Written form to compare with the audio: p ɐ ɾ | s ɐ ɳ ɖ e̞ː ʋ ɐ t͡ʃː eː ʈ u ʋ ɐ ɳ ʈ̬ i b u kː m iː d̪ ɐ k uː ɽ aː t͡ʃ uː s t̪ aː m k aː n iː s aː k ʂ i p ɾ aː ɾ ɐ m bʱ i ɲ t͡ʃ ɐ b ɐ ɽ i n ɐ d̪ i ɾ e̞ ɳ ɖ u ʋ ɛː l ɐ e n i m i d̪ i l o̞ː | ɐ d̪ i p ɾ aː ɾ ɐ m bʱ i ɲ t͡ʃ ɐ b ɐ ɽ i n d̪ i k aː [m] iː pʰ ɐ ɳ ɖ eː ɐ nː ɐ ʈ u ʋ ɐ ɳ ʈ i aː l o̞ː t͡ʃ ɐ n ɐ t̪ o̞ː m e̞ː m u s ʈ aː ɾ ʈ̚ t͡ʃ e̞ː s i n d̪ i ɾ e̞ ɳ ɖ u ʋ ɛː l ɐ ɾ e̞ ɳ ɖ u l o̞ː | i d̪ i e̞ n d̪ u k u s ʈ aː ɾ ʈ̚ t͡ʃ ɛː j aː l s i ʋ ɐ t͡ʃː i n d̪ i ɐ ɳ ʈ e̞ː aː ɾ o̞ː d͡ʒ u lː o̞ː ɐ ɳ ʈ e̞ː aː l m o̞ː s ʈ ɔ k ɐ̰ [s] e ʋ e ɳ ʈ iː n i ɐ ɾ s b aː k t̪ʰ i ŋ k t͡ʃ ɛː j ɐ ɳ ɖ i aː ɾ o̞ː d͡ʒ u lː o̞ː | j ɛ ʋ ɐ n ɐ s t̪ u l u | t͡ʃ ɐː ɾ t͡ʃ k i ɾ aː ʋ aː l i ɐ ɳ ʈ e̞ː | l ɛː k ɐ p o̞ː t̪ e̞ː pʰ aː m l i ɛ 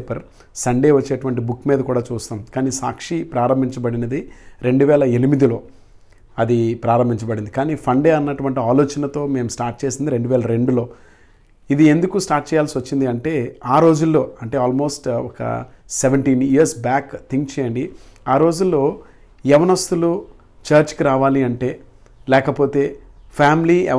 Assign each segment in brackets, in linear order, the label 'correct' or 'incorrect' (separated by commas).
incorrect, correct